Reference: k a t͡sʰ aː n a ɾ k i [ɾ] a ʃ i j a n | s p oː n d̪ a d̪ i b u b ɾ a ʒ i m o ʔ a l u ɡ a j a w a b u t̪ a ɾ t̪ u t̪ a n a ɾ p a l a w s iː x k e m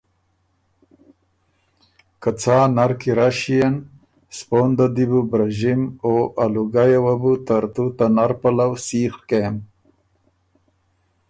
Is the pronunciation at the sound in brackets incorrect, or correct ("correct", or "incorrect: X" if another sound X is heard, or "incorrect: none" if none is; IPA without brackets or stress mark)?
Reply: correct